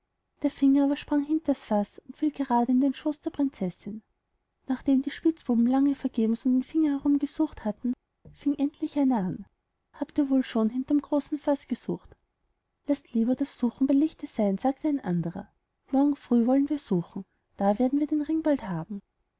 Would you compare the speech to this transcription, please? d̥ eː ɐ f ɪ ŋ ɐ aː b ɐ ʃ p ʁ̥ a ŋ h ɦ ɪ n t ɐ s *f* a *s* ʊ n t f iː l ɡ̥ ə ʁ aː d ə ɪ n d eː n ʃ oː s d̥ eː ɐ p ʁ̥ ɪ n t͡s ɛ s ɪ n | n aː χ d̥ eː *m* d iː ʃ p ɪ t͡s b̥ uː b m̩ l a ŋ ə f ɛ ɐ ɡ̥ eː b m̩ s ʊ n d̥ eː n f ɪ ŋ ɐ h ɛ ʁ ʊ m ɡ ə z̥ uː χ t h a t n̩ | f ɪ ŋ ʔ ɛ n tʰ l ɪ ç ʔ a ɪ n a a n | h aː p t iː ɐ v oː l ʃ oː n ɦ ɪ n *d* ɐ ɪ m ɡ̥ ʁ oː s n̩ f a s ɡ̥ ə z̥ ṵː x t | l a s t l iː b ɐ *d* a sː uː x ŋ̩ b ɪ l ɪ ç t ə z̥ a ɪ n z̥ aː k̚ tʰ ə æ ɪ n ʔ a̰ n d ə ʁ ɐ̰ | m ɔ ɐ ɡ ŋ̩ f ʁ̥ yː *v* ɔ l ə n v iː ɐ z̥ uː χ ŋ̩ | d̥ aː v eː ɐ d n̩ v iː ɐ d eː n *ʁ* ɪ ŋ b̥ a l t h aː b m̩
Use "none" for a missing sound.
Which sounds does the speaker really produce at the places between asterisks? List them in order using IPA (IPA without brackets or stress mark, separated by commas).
f, s, m, t, d, v, ʁ